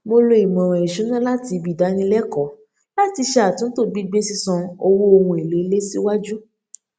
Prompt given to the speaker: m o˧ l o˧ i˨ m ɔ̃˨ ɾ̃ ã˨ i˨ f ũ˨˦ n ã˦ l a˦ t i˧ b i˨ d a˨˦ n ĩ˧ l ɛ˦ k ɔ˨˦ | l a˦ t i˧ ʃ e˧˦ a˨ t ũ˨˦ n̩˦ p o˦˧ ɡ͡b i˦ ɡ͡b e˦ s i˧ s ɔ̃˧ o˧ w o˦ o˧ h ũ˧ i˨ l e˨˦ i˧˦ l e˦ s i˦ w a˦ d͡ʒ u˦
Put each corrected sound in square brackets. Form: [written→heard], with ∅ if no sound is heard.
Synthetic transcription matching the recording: m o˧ l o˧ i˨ m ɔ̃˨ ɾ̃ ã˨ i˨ [f→ʃ] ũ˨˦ n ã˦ l a˦ t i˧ b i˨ d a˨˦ n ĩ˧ l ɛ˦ k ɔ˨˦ | l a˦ t i˧ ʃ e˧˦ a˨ t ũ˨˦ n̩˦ [p→t] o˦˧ ɡ͡b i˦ ɡ͡b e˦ s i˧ s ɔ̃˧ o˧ w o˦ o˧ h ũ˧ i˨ l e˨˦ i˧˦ l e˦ s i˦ w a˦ d͡ʒ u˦

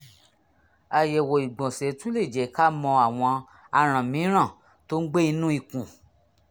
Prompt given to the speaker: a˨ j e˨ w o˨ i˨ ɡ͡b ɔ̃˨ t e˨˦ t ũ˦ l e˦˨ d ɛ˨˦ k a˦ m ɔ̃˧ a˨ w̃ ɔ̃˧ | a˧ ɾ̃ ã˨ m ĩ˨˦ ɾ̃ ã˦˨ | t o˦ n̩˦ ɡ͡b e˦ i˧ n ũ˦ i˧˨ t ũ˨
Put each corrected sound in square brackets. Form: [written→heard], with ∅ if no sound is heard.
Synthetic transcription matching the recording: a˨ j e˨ w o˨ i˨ ɡ͡b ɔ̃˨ [t→s] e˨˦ t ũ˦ l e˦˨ [d→d͡ʒ] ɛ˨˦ k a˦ m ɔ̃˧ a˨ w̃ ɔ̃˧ | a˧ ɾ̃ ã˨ m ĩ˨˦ ɾ̃ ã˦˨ | t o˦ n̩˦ ɡ͡b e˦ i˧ n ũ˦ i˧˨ [t→k] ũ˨

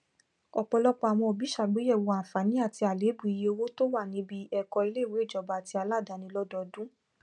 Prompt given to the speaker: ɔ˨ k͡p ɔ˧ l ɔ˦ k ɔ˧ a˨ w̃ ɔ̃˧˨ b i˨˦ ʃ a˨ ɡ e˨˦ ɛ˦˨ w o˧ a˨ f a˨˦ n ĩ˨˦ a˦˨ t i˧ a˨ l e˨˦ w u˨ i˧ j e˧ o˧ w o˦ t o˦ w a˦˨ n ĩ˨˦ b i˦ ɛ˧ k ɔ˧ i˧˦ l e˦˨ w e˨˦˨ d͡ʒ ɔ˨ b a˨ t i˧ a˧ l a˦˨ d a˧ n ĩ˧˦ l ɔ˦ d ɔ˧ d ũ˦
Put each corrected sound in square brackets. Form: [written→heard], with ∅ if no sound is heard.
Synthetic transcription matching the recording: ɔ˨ k͡p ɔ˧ l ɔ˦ [k→k͡p] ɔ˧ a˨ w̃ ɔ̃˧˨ b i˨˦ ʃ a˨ [ɡ→ɡ͡b] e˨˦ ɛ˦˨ w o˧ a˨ f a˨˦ n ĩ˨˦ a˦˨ t i˧ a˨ l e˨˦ [w→b] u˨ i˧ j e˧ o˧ w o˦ t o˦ w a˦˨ n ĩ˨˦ b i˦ ɛ˧ k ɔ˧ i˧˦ l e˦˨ w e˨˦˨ d͡ʒ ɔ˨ b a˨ t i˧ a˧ l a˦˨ d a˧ n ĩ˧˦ l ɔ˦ d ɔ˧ d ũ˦

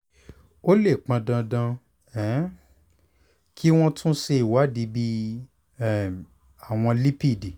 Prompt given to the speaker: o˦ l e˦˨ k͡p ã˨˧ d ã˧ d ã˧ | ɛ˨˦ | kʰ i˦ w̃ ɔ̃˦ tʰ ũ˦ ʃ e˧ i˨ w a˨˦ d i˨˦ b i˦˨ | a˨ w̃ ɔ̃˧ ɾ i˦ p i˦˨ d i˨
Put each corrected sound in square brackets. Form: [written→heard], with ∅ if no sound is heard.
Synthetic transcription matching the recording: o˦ l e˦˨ k͡p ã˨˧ d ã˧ d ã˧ | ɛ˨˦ | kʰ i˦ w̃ ɔ̃˦ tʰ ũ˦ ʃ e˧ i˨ w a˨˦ d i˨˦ b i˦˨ | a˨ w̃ ɔ̃˧ [ɾ→l] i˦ p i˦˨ d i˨

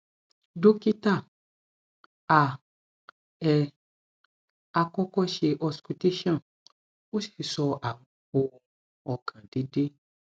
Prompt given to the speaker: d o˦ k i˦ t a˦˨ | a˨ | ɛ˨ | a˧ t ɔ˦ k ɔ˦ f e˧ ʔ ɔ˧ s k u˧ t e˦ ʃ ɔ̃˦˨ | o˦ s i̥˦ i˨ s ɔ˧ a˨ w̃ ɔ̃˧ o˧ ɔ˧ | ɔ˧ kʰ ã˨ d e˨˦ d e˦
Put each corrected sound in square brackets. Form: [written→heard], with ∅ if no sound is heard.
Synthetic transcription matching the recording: d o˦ k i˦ t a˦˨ | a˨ | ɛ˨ | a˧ [t→k] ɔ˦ k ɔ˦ [f→ʃ] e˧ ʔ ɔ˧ s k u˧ t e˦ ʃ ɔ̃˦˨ | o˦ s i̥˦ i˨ s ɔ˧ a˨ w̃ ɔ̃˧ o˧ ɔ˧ | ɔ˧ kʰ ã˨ d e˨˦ d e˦

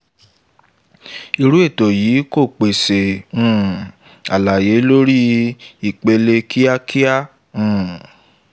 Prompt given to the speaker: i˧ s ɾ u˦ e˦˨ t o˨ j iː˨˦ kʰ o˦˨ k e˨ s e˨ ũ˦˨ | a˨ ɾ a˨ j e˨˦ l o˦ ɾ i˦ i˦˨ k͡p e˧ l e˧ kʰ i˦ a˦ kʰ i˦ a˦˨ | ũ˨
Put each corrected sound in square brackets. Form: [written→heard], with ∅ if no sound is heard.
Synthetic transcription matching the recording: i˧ [s→∅] ɾ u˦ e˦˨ t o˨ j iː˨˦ [kʰ→k] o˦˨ [k→k͡p] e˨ s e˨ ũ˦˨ | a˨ [ɾ→l] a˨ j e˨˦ l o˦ ɾ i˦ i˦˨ k͡p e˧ l e˧ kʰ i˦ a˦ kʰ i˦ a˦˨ | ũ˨

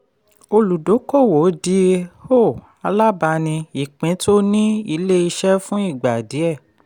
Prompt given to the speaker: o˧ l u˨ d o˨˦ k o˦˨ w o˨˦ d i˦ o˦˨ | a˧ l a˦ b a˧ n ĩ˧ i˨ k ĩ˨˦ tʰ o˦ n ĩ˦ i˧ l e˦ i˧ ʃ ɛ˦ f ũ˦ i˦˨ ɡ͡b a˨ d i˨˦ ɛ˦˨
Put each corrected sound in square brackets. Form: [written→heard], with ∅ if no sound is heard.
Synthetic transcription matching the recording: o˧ l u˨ d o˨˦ k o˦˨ w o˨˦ d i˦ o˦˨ | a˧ l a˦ b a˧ n ĩ˧ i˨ [k→k͡p] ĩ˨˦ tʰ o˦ n ĩ˦ i˧ l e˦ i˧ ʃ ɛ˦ f ũ˦ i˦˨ ɡ͡b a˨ d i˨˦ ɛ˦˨

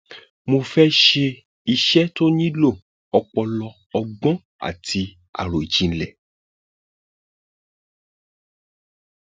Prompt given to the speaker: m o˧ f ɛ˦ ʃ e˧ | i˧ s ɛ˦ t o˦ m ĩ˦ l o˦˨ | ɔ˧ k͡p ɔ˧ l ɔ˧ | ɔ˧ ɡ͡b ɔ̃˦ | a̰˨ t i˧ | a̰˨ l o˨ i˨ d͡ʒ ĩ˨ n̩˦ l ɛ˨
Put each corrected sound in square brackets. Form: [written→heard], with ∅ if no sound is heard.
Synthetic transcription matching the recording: m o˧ f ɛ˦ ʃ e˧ | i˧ [s→ʃ] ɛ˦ t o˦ [m→n] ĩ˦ l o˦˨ | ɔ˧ k͡p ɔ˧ l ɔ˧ | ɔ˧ ɡ͡b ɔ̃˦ | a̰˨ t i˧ | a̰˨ [l→ɾ] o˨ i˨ d͡ʒ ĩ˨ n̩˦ l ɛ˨

